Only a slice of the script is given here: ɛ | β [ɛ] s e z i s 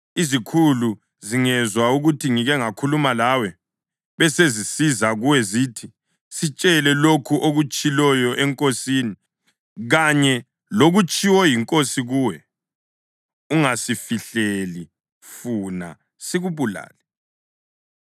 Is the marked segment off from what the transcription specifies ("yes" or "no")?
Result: no